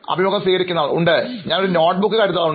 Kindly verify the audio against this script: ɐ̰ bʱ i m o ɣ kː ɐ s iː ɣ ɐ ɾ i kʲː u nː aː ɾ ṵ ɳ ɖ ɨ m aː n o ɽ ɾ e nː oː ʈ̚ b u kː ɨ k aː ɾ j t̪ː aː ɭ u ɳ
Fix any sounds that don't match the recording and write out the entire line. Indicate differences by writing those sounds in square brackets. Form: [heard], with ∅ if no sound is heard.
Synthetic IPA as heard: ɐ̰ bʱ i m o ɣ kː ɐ s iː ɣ ɐ ɾ i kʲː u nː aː [ɭ] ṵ ɳ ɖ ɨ [ɲ] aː n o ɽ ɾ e [n] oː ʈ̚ b u kː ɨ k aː ɾ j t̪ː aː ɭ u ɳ